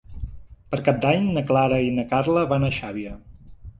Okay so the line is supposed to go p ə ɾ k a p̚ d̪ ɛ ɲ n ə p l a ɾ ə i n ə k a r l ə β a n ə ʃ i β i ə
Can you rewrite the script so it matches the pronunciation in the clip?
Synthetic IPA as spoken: p ə ɾ k a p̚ d̪ a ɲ n ə k l a ɾ ə i n ə k a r l ə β a n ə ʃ a β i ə

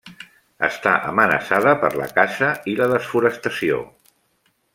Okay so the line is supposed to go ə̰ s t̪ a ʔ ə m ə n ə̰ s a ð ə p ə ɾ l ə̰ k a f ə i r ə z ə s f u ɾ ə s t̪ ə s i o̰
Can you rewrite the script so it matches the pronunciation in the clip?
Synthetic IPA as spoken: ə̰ s t̪ a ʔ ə m ə n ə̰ s a ð ə p ə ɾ l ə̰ k a ʃ ə i l ə ð ə s f u ɾ ə s t̪ ə s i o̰

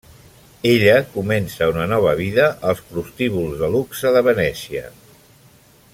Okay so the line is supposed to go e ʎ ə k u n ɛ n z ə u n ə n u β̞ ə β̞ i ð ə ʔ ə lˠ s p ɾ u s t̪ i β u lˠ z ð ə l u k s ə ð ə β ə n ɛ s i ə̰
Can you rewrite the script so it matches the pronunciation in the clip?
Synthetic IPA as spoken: e ʎ ə k u m ɛ n s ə u n ə n ɔ β̞ ə β̞ i ð ə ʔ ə lˠ s p ɾ u s t̪ i β u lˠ z ð ə l u k s ə ð ə β ə n ɛ s i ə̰

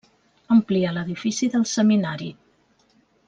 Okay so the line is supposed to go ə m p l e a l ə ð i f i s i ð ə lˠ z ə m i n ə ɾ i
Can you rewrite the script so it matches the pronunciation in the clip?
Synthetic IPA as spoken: ə m p l i a l ə ð i f i s i ð ə lˠ s ə m i n a ɾ i

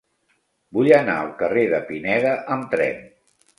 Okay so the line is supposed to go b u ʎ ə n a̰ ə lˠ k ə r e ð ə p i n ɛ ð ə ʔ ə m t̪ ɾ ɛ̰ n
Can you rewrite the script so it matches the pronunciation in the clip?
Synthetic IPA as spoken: b u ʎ ə n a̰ ə lˠ k ə r e ð ə p i n ɛ ð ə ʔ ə m t̪ ɾ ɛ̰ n

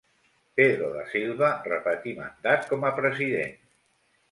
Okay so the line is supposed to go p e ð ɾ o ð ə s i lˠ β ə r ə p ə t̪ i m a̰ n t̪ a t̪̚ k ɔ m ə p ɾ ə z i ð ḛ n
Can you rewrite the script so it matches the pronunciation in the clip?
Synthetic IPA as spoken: p e ð ɾ o ð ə s i lˠ β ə r ə p ə t̪ i m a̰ n d̪ a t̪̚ k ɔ m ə p ɾ ə z i ð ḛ n

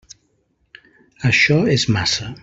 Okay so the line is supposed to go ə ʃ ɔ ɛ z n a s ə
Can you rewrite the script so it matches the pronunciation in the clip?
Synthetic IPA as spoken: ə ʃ ɔ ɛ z m a s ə

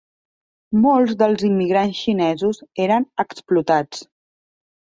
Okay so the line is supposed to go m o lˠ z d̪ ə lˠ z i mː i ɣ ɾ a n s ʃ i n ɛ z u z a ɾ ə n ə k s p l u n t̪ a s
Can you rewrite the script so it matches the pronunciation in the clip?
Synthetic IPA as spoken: m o lˠ z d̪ ə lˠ z i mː i ɣ ɾ a n s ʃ i n ɛ z u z e ɾ ə n ə k s p l u t̪ a t͡s

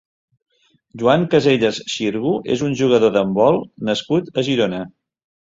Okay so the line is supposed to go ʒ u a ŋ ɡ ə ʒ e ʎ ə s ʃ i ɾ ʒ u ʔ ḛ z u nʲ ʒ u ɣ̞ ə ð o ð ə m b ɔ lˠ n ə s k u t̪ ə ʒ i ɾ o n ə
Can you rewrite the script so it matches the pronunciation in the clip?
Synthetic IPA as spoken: ʒ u a ŋ k ə z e ʎ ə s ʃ i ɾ ɣ u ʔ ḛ z u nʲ ʒ u ɣ̞ ə ð o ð ə m b ɔ lˠ n ə s k u t̪ ə ʒ i ɾ o n ə

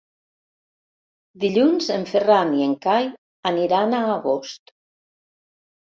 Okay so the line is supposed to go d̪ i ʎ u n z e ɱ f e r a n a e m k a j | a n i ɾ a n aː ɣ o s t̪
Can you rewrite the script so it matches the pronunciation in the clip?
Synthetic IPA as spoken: d̪ i ʎ u n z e ɱ f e r a n i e ŋ k a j | a n i ɾ a n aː ɣ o s t̪

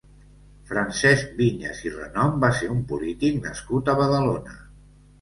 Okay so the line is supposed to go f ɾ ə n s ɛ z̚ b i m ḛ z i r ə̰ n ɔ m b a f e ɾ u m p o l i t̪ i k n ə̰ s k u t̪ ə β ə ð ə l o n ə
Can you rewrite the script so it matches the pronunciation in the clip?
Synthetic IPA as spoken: f ɾ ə n s ɛ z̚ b i ɲ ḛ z i r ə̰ n ɔ m b a s e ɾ u m p u l i t̪ i k n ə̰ s k u t̪ ə β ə ð ə l o n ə

